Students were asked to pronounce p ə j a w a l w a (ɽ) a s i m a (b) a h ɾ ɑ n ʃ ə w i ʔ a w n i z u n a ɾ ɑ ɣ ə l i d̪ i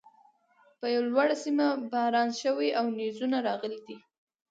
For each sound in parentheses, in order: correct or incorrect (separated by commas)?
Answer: correct, correct